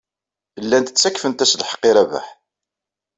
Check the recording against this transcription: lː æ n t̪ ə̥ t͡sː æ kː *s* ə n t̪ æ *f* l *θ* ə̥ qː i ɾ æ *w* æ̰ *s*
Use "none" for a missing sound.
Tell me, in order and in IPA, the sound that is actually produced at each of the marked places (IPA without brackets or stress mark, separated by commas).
f, s, ħ, v, ħ